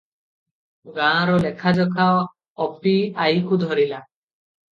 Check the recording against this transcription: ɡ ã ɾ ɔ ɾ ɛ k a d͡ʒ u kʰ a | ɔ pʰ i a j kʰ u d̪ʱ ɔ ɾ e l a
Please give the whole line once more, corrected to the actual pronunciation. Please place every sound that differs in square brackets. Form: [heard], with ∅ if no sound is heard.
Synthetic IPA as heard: ɡ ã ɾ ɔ [l] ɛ [kʰ] a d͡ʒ [ɔ] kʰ a | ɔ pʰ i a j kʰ u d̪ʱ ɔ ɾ [i] l a